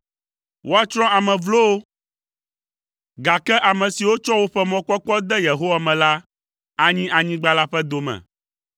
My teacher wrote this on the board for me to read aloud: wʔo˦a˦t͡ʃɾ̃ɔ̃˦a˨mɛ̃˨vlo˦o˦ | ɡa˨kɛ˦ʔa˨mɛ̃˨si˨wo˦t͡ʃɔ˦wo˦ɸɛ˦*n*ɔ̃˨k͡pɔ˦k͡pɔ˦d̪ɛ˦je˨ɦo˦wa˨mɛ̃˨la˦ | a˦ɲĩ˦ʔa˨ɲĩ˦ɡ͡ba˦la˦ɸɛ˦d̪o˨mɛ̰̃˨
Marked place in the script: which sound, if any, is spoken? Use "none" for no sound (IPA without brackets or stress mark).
m